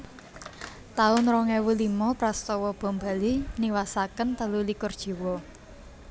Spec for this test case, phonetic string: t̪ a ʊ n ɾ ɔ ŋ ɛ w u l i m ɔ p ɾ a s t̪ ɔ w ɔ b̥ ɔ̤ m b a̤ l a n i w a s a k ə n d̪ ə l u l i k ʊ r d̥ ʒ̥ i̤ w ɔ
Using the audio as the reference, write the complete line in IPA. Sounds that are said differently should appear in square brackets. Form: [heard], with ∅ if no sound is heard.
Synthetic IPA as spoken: t̪ a ʊ n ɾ ɔ ŋ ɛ w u l i m ɔ p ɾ a s t̪ ɔ w ɔ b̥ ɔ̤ m b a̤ l [i] n i w a s a k ə n [t̪] ə l u l i k ʊ r d̥ ʒ̥ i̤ w ɔ